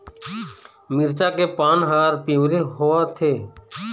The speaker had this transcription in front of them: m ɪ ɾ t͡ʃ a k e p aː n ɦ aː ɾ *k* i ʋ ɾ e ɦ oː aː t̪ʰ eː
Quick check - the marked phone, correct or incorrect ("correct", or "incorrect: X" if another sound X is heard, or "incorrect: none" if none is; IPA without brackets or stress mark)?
incorrect: p